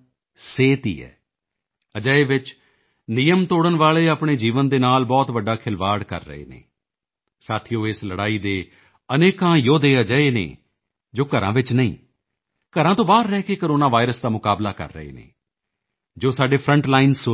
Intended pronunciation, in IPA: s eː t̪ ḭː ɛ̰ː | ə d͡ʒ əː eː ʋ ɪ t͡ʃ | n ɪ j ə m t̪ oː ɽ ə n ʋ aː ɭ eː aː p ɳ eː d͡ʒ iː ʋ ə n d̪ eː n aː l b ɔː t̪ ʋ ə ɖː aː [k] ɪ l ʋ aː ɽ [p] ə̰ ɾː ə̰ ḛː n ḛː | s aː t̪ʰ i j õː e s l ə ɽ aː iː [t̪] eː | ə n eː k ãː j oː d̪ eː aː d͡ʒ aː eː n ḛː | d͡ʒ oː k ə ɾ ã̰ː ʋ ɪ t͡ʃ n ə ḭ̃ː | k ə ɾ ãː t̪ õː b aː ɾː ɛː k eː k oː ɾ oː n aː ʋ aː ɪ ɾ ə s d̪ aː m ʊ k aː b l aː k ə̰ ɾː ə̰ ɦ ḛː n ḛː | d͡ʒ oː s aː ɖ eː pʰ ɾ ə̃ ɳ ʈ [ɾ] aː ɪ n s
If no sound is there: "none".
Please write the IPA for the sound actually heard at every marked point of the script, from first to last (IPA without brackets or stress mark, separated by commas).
kʰ, k, d̪, l